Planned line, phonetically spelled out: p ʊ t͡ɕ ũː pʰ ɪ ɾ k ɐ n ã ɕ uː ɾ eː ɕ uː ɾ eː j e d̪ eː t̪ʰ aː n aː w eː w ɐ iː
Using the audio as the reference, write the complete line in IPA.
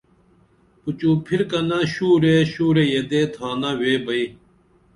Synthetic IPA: p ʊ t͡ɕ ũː pʰ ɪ ɾ k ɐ n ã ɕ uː ɾ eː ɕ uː ɾ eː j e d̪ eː t̪ʰ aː n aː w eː b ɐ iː